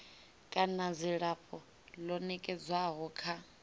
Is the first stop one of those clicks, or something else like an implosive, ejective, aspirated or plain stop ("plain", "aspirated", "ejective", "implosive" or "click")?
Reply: ejective